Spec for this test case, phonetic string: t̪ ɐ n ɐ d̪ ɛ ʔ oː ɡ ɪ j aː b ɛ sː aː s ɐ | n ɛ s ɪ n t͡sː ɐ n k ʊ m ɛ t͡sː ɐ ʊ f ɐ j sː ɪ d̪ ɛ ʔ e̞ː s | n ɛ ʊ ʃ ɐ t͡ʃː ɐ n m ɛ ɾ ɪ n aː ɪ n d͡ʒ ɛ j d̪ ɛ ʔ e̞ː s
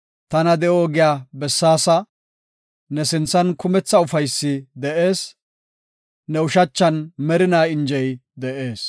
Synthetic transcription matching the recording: t̪ ɐ n ɐ d̪ ɛ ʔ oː ɡ ɪ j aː b ɛ sː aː s ɐ | n ɛ s ɪ n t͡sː ɐ n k ʊ m ɛ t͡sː ɐ ʊ f ɐ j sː ɪ d̪ ɛ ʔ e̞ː s | n ɛ ʊ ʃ ɐ t͡ʃː ɐ n m ɛ ɾ ɪ n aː ɪ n d͡ʒ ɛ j d̪ ɛ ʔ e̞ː s